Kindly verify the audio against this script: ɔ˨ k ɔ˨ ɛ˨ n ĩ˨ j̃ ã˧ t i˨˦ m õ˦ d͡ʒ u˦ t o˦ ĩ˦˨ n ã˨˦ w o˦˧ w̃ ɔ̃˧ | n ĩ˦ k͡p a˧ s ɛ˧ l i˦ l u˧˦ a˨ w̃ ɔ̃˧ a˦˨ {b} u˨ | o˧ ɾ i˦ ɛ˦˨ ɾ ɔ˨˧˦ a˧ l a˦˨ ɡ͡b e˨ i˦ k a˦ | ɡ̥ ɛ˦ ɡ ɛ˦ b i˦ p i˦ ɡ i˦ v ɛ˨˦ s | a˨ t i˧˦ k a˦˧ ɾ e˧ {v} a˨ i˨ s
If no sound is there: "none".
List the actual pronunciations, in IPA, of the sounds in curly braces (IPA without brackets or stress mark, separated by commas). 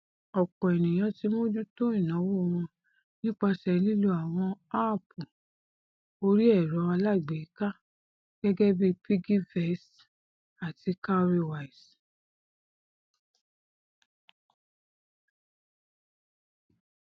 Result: p, w